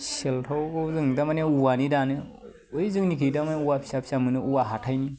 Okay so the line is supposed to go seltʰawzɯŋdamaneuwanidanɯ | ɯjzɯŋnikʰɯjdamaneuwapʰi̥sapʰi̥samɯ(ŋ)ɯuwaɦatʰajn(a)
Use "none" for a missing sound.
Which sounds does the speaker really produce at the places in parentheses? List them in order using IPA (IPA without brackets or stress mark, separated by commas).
n, i